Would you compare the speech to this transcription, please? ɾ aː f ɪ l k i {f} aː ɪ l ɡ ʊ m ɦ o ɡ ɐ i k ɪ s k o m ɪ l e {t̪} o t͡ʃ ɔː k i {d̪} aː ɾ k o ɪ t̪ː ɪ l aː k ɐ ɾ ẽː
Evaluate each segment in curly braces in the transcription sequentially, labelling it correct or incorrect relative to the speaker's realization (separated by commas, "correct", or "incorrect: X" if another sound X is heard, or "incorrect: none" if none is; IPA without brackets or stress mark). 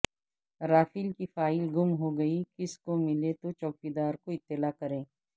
correct, correct, correct